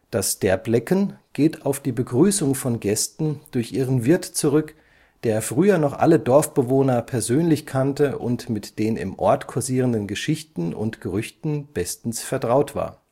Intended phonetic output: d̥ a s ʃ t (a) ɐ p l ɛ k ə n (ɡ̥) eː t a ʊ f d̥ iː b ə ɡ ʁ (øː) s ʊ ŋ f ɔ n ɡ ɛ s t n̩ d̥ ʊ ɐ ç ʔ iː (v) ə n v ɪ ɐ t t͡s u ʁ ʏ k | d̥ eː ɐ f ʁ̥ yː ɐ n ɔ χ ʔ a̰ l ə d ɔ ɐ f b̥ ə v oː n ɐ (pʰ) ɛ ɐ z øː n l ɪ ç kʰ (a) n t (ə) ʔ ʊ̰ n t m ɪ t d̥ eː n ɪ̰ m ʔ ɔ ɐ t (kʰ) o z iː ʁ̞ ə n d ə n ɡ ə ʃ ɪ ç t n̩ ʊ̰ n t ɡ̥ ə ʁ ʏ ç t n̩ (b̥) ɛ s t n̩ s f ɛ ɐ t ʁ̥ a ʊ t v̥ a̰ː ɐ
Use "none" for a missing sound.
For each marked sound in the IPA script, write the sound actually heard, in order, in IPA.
ɛ, ɡ̥, yː, ʁ, pʰ, a, ə, kʰ, b̥

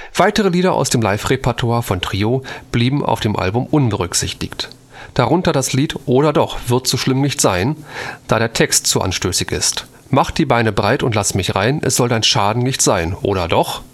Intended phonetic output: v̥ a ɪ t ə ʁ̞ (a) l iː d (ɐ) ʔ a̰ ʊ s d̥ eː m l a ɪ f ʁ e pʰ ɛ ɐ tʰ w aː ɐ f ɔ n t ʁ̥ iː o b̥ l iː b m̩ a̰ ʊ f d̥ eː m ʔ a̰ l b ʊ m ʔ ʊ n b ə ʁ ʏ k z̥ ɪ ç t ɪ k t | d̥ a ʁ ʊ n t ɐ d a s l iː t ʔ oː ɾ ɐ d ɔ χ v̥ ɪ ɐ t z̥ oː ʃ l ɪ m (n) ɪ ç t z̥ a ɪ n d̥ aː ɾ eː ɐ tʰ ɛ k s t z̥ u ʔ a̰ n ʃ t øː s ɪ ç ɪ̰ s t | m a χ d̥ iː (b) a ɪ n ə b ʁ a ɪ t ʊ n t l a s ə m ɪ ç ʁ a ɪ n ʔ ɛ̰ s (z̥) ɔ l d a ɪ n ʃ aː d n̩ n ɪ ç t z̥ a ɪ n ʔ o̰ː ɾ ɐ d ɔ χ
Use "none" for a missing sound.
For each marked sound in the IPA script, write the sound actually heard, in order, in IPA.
ə, ɐ, n, b, z̥

